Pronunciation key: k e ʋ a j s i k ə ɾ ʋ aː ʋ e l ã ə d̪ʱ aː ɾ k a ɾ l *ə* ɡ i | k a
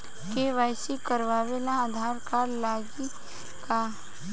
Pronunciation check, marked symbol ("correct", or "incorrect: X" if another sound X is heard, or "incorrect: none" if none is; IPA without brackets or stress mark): incorrect: a